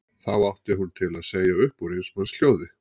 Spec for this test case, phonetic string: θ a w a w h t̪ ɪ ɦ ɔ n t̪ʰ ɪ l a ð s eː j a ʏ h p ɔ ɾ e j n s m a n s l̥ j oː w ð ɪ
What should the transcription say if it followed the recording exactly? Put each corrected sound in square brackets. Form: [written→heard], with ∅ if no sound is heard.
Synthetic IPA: θ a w a w h t̪ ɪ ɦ [ɔ→u] n t̪ʰ ɪ l a ð s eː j a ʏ h p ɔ ɾ e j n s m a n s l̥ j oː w ð ɪ